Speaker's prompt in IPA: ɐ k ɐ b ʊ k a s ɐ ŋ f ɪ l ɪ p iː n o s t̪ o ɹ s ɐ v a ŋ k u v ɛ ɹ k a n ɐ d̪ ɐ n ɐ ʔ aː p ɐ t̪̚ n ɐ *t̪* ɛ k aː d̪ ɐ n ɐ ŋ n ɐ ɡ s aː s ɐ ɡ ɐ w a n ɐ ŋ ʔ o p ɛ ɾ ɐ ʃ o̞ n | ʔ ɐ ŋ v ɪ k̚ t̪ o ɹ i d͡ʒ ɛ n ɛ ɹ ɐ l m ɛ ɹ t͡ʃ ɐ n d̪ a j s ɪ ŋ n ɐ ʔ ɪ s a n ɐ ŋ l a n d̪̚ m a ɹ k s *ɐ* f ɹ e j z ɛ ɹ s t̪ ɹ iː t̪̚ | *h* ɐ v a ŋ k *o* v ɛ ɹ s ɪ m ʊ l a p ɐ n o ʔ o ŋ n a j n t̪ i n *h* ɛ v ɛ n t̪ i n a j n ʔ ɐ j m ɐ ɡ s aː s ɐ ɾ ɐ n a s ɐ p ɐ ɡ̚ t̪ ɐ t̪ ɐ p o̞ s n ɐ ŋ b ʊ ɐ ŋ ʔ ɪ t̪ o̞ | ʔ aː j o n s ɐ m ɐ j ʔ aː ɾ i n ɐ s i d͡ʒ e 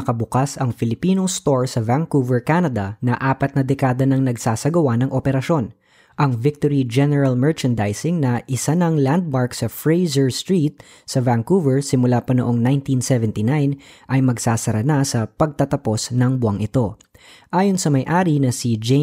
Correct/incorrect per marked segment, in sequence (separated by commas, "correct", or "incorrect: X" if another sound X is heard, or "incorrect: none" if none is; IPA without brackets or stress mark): incorrect: d̪, correct, incorrect: s, incorrect: u, incorrect: s